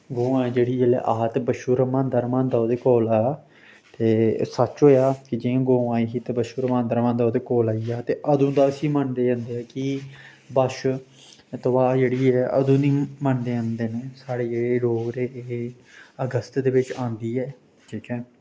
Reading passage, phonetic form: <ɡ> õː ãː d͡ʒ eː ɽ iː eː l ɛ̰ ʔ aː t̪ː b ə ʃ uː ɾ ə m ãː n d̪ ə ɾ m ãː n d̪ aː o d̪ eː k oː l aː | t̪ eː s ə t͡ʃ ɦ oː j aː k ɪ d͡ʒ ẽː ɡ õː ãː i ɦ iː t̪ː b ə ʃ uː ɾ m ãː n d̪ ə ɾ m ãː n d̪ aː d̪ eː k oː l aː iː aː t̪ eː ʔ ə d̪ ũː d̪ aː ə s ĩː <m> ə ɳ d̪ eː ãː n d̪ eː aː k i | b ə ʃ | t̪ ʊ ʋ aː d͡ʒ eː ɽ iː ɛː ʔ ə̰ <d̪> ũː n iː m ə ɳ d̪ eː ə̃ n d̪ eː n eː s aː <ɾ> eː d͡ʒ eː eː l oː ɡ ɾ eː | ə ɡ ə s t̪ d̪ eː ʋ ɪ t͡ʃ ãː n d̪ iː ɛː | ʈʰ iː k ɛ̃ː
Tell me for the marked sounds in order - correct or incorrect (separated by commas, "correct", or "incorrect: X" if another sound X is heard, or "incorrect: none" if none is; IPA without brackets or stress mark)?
correct, correct, correct, incorrect: ɽ